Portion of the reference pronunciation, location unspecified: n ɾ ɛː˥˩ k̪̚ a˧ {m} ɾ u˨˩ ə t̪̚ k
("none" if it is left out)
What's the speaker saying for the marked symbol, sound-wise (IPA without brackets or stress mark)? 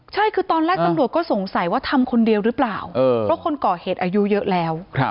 m